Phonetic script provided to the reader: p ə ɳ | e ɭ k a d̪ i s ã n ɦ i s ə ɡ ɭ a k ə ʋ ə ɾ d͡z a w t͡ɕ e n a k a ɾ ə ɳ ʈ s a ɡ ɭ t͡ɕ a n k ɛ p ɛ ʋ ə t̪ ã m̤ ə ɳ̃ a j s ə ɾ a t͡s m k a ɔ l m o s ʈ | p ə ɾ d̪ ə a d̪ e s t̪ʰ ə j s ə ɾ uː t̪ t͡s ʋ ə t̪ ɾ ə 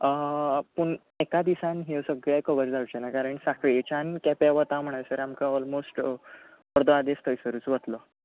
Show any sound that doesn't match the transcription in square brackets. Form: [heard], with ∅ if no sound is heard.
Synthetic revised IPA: p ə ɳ | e [∅] k a d̪ i s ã n ɦ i s ə ɡ ɭ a k ə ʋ ə ɾ d͡z a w t͡ɕ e n a k a ɾ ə ɳ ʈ s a [k] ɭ t͡ɕ a n k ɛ p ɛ ʋ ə t̪ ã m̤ ə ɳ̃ a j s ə ɾ a [∅] m k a ɔ l m o s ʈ | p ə ɾ d̪ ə a d̪ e s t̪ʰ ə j s ə ɾ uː [∅] t͡s ʋ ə t̪ [l] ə